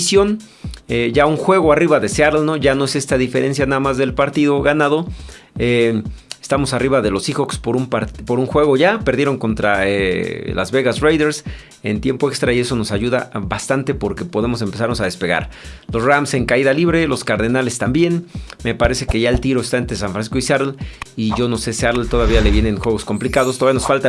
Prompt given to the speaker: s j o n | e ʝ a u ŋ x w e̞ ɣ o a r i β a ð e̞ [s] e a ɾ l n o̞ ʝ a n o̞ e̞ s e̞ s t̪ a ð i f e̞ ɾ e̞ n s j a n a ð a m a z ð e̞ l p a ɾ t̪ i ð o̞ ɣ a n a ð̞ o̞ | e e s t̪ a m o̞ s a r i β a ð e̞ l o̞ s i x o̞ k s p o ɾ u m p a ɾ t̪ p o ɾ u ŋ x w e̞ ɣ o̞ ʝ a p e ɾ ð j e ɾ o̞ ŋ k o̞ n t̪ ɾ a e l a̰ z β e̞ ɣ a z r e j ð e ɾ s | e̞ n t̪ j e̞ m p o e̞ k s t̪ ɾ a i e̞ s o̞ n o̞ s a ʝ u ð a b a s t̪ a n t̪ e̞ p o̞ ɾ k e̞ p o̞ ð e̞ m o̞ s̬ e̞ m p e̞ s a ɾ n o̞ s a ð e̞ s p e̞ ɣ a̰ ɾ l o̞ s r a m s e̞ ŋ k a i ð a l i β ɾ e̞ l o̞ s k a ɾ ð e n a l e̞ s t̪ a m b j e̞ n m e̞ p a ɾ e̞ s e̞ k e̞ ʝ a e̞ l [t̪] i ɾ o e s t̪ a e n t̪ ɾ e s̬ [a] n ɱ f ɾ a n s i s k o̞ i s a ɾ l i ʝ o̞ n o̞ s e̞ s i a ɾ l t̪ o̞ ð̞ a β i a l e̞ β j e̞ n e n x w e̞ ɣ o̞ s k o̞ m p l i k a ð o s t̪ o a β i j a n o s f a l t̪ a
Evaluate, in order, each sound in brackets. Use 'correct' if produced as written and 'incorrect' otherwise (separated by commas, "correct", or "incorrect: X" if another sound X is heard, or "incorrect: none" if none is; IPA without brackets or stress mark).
correct, correct, correct